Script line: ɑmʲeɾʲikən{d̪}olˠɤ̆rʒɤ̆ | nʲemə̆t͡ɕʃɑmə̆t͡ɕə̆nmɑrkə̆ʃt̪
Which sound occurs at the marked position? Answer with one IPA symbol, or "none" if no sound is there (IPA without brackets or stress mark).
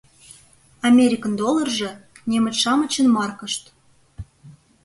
d̪